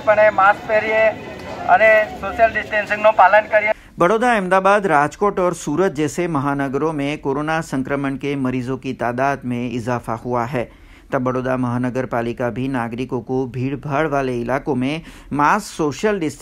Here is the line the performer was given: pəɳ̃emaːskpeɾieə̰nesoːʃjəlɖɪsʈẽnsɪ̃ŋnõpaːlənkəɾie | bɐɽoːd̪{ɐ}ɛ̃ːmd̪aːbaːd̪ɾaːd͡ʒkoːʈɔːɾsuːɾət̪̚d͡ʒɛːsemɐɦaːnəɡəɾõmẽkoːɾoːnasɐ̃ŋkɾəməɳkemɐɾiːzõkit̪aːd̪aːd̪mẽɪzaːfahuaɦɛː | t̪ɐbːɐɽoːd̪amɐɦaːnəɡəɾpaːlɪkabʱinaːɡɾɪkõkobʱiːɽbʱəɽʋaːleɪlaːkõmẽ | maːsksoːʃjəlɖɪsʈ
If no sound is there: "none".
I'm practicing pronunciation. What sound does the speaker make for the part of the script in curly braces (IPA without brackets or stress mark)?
a